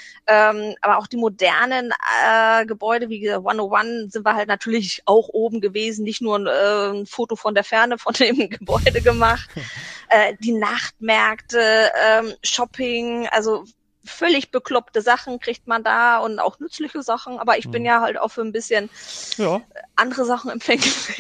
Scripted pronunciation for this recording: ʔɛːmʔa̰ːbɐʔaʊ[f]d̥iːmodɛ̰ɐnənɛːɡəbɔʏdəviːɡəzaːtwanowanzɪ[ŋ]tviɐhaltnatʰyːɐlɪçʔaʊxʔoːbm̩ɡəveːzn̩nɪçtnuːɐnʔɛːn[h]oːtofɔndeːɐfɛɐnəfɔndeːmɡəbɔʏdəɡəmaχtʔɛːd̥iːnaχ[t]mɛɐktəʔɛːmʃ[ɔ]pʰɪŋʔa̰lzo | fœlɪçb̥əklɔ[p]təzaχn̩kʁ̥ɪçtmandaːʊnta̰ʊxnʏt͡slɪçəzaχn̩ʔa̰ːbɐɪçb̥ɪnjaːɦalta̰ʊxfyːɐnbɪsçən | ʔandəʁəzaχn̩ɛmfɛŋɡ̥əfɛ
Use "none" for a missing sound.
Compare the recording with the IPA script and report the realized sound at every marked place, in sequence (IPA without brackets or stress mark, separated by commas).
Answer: x, n, f, t, ɔ, p